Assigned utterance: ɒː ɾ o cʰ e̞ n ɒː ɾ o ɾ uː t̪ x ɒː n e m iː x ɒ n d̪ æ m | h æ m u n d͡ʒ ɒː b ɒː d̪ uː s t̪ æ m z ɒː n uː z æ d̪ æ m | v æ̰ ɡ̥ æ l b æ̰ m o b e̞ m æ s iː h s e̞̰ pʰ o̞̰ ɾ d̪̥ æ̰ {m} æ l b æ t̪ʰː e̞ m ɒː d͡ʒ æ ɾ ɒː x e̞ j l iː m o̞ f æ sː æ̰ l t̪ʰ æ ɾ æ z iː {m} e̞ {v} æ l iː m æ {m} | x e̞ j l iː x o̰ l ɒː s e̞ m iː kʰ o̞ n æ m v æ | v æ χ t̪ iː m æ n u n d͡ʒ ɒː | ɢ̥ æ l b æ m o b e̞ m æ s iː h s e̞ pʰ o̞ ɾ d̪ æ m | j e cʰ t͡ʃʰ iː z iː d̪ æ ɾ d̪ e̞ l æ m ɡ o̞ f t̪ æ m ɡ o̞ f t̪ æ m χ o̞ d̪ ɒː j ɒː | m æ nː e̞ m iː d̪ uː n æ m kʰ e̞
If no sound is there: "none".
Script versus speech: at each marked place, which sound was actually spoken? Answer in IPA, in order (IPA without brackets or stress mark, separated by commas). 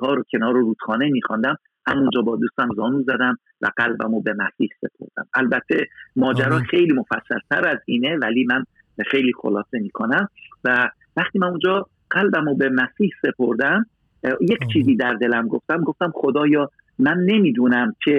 m, n, v, n